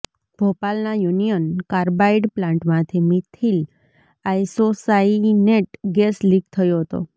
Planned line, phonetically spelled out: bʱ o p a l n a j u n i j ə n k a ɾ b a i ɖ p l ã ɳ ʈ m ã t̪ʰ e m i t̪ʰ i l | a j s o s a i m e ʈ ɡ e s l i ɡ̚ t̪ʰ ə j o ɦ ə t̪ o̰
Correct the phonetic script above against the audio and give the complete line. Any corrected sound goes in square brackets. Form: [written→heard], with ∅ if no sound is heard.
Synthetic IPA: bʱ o p a l n a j u n i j ə n k a ɾ b a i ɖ p l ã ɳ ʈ m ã t̪ʰ [e→i] m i t̪ʰ i l | a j s o s a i [m→n] e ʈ ɡ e s l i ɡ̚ t̪ʰ ə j o ɦ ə t̪ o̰